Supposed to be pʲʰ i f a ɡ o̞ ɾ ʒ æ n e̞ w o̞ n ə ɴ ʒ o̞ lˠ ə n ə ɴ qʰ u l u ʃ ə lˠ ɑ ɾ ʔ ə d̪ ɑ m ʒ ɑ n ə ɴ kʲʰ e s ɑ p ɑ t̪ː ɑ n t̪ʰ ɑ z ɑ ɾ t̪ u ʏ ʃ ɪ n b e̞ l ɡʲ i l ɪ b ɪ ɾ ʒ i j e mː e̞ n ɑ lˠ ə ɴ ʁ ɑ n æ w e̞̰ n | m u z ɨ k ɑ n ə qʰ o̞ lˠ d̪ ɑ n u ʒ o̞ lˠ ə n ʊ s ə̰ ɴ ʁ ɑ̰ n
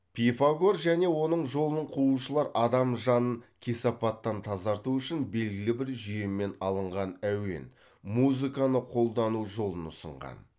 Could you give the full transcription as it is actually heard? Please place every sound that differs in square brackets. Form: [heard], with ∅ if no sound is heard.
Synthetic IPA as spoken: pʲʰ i f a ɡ o̞ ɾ ʒ æ n e̞ w o̞ n ə ɴ ʒ o̞ lˠ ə n ə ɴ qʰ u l u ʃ ə lˠ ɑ ɾ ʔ [ɑ] d̪ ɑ m ʒ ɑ n ə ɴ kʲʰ e s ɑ p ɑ t̪ː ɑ n t̪ʰ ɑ z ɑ ɾ t̪ u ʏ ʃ ɪ n b e̞ l ɡʲ [ɪ] l ɪ b ɪ ɾ ʒ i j e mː e̞ n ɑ lˠ ə ɴ ʁ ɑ n æ w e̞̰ n | m u z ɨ k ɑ n ə qʰ o̞ lˠ d̪ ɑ n u ʒ o̞ lˠ ə n ʊ s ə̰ ɴ ʁ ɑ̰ n